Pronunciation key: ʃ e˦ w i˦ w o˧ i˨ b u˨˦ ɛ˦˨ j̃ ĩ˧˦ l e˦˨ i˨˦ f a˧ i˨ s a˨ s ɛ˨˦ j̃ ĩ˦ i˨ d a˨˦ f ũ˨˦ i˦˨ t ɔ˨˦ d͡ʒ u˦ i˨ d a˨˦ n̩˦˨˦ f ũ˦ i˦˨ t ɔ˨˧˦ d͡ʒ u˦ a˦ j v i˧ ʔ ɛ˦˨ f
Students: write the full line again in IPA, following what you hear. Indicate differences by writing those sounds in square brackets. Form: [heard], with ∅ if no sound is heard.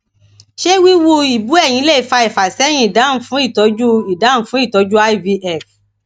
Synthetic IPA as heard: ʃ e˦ w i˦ w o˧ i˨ b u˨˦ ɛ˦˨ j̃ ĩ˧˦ l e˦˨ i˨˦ f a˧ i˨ [f] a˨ s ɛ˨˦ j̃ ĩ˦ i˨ d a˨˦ f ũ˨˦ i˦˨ t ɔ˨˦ d͡ʒ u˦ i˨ d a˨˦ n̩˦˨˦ f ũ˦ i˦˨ t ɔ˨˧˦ d͡ʒ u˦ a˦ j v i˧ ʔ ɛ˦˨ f